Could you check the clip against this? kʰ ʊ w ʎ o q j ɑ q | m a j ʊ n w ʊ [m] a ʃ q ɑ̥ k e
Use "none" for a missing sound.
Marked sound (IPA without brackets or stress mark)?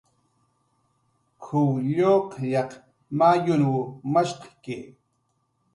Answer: m